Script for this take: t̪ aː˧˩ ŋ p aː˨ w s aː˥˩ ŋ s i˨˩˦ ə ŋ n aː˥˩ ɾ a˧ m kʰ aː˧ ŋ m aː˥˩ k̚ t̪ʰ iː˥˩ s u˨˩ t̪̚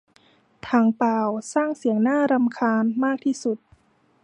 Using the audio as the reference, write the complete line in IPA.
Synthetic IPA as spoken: t̪ʰ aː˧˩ ŋ p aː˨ w s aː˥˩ ŋ s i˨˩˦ ə ŋ n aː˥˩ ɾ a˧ m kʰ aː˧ n m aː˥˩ k̚ t̪ʰ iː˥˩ s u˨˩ t̪̚